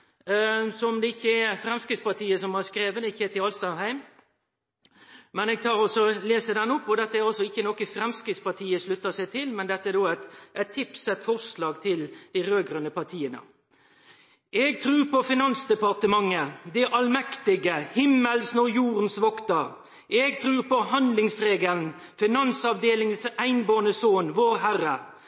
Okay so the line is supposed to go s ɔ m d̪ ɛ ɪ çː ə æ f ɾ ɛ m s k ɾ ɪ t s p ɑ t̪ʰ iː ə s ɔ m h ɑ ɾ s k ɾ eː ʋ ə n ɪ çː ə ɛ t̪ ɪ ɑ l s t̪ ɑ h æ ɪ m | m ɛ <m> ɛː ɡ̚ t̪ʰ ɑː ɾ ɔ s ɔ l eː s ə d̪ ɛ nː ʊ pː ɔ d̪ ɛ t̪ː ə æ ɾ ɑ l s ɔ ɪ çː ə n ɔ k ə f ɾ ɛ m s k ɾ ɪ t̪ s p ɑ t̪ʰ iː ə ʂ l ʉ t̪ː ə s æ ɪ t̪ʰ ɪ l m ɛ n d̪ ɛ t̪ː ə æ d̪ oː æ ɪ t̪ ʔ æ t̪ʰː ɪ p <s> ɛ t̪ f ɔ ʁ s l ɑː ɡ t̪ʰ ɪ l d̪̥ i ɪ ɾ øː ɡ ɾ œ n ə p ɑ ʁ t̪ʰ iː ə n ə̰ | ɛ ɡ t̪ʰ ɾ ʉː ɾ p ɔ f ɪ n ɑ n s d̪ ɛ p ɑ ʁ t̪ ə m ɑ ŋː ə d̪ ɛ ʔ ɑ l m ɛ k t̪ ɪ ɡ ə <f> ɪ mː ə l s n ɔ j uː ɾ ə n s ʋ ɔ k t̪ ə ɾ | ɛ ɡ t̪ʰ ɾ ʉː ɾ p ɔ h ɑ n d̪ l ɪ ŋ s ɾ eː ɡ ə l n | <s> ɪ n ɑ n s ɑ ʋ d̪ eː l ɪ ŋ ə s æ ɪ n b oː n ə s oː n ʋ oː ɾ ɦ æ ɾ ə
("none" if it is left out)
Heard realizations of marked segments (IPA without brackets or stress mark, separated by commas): n, s, h, f